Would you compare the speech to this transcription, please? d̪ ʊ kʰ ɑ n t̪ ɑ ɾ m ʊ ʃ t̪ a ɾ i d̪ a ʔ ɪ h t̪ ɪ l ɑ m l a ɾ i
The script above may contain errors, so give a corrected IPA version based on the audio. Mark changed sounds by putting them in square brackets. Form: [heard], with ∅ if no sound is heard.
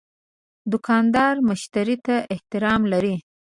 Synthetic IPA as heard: d̪ ʊ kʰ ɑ n [d̪] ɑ ɾ m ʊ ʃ t̪ a ɾ i [t̪] a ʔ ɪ h t̪ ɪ [ɾ] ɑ m l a ɾ i